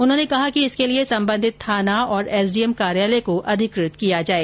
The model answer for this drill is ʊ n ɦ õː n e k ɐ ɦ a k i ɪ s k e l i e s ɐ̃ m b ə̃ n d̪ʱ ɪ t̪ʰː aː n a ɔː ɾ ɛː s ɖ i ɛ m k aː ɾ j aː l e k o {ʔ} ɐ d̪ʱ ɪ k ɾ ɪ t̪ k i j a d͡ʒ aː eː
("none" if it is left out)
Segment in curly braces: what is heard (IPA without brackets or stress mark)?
ʔ